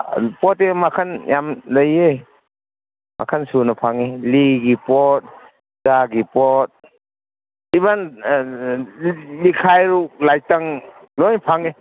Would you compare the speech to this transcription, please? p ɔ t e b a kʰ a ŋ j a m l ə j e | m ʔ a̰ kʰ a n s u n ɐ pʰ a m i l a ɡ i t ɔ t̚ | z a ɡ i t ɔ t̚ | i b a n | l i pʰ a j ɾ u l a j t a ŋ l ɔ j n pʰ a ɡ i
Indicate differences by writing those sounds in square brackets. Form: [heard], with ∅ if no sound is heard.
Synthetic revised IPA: p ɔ t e [m] a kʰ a [n] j a m l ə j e | m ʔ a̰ kʰ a n s u n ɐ pʰ a [ŋ] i l [i] ɡ i [p] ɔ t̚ | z a ɡ i [p] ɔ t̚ | i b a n | l i [kʰ] a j ɾ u l a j t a ŋ l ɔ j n pʰ a [ŋ] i